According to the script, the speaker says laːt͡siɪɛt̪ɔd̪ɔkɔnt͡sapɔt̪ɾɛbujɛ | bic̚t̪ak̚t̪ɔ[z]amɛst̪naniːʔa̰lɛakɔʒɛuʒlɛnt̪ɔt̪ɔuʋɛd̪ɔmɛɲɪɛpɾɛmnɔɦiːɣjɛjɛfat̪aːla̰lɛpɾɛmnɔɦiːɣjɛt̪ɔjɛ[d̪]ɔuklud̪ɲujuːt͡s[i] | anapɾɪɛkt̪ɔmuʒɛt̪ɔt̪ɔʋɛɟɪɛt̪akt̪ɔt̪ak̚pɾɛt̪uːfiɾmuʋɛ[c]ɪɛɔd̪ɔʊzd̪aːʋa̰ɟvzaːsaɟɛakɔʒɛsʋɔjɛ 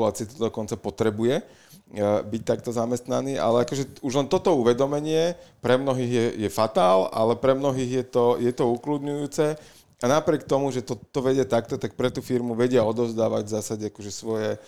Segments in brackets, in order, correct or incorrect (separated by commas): correct, incorrect, incorrect, incorrect